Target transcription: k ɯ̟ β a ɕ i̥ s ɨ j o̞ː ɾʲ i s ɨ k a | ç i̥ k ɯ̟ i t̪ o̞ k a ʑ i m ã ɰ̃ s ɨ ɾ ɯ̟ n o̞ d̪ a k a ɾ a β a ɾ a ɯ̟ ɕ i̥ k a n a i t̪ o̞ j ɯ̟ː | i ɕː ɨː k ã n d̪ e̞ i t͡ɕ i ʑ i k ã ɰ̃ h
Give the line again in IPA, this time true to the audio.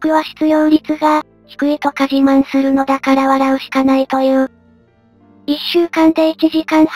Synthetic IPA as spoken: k ɯ̟ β a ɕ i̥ t͡s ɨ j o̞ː ɾʲ i t͡s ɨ ɡ a | ç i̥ k ɯ̟ i t̪ o̞ k a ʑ i m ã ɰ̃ s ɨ ɾ ɯ̟ n o̞ d̪ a k a ɾ a β a ɾ a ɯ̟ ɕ i̥ k a n a i t̪ o̞ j ɯ̟ː | i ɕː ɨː k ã n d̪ e̞ i t͡ɕ i ʑ i k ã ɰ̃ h